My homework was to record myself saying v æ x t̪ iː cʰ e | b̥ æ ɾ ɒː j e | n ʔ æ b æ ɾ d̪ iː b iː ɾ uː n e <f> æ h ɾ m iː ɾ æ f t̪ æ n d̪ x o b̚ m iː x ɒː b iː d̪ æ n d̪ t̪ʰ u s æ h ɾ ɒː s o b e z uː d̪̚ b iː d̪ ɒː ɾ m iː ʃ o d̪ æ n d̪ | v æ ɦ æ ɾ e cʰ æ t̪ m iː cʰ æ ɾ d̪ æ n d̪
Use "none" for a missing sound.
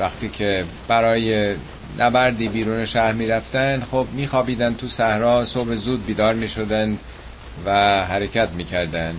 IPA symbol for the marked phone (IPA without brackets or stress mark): ʃ